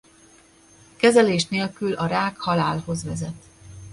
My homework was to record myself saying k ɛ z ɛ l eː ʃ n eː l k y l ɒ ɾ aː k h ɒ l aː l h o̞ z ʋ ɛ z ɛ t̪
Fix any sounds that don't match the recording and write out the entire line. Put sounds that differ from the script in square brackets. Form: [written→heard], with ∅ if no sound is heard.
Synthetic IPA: k ɛ z ɛ l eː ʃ n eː l k y l ɒ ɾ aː k h ɒ l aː l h o̞ z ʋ ɛ z ɛ t̪